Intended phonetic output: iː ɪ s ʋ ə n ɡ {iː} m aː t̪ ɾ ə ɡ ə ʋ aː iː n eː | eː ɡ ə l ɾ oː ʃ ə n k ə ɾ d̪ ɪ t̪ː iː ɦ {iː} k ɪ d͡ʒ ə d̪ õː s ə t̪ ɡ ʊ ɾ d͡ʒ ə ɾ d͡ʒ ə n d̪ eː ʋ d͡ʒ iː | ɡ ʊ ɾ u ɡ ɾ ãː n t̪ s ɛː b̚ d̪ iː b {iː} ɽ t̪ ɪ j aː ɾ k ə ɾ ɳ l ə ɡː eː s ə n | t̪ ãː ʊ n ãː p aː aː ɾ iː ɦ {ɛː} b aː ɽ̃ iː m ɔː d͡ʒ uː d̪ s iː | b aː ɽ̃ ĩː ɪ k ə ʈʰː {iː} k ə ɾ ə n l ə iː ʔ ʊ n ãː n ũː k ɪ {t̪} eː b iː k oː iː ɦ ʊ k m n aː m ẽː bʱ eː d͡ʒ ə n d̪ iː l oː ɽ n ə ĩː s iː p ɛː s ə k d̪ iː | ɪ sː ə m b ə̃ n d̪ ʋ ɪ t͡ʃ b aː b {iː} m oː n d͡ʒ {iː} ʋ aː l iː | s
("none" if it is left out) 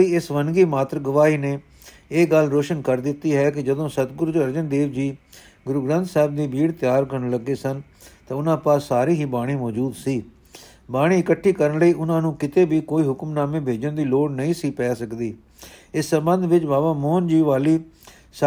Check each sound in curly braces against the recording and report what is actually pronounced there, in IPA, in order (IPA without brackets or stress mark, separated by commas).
iː, ɛː, iː, iː, iː, t̪, aː, iː